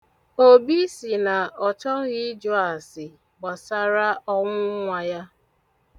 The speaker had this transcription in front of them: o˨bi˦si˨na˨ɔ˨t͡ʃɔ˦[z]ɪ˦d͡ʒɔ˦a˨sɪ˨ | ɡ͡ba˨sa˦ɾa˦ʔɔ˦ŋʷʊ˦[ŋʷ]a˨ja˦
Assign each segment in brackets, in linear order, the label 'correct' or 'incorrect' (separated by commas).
incorrect, correct